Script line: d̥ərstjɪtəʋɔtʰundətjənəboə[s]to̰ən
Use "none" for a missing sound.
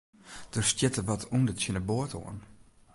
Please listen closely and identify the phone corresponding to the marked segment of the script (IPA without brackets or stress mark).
none